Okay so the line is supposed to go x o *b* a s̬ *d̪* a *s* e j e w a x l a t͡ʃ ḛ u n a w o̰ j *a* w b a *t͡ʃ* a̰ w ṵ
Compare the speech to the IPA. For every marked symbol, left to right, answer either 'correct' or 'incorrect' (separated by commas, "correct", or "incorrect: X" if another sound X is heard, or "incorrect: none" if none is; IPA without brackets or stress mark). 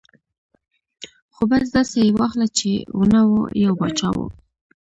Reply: correct, correct, correct, correct, correct